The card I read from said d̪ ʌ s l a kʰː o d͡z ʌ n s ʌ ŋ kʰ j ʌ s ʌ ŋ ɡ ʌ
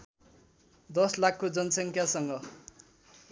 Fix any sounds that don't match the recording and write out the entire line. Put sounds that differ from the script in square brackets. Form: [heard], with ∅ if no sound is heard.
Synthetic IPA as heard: d̪ ʌ s l a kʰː o d͡z ʌ n s ʌ ŋ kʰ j [a] s ʌ ŋ ɡ ʌ